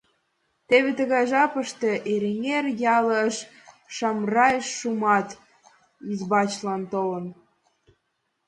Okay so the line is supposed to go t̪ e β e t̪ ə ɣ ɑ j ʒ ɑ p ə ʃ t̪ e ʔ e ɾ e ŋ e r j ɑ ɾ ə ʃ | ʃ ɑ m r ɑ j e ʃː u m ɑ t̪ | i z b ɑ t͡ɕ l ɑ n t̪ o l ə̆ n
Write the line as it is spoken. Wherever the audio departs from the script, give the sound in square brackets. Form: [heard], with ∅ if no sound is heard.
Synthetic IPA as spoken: t̪ e β e t̪ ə ɣ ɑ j ʒ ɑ p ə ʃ t̪ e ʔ e ɾ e ŋ e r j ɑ [l] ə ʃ | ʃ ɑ m r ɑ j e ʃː u m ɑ t̪ | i z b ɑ t͡ɕ l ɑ n t̪ o l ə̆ n